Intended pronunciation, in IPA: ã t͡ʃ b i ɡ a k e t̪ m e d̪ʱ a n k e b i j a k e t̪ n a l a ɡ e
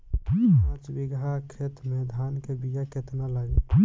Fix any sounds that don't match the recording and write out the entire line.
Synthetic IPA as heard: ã t͡ʃ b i ɡ a kʰ e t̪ m e d̪ʱ a n k e b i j a k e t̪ n a l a ɡ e